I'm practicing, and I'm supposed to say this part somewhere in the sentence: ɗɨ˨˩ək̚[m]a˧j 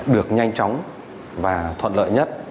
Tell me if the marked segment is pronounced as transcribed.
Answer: no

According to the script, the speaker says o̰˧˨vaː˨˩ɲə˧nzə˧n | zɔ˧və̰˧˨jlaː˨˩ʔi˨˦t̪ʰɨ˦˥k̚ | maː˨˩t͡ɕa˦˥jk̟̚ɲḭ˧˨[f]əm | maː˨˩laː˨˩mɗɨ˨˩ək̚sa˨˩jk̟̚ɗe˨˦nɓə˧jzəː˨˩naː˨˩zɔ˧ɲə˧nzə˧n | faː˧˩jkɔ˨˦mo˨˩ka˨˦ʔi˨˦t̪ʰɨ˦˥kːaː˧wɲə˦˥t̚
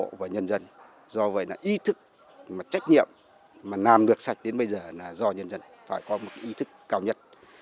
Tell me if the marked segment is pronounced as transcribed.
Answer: no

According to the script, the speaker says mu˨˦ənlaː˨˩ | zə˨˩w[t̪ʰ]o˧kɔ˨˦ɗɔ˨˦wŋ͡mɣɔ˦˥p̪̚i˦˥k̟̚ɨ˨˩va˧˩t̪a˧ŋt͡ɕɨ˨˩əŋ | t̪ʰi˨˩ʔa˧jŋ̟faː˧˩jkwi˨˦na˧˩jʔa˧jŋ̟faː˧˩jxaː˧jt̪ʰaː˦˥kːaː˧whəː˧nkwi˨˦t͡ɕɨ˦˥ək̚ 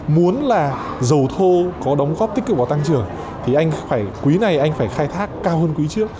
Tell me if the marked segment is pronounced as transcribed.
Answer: yes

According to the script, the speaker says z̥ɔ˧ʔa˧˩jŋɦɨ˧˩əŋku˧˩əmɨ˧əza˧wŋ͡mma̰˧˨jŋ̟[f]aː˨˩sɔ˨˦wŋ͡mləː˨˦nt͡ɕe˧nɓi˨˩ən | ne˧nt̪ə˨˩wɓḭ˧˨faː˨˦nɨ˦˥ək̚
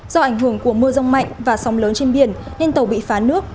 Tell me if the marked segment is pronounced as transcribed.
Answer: no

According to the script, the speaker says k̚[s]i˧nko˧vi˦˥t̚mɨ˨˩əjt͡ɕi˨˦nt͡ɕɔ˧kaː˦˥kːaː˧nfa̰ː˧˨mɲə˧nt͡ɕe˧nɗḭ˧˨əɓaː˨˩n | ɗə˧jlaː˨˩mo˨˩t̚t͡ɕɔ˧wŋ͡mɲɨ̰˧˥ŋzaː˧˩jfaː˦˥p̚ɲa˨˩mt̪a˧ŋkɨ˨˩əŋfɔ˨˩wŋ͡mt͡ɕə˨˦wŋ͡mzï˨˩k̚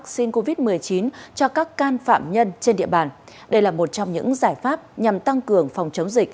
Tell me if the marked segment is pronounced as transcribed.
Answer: yes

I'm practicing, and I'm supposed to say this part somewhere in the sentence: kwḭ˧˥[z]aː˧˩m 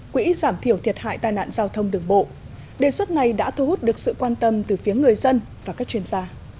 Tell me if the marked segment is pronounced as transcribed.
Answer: yes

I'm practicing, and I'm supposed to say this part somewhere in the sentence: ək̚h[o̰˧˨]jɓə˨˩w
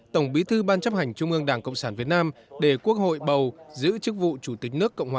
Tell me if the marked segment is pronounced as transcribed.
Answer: yes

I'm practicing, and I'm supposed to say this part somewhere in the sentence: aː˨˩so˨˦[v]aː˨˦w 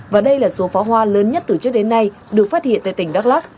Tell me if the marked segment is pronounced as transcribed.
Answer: no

